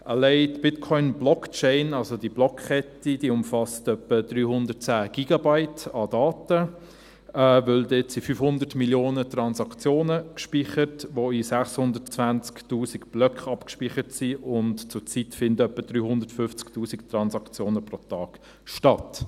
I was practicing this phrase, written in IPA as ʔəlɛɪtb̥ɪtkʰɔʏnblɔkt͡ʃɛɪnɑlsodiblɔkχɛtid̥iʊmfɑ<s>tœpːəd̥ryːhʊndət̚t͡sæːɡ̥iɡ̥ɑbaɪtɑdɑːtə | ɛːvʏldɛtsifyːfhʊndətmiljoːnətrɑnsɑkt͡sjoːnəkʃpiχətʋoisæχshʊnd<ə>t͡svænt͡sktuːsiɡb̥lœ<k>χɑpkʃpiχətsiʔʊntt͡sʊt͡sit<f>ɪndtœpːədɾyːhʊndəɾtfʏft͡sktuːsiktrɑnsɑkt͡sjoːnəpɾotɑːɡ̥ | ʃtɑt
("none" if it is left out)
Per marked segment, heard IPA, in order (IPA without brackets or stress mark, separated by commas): s, ə, k, f